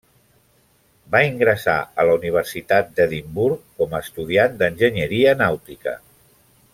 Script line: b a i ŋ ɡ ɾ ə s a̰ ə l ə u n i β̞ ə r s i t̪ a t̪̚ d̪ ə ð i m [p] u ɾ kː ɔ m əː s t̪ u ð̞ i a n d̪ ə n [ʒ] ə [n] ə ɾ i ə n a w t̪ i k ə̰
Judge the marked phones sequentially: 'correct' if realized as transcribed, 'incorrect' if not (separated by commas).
incorrect, correct, incorrect